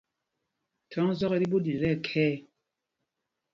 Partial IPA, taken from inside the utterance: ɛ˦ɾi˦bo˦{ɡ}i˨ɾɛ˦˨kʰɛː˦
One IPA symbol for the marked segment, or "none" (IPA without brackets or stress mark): d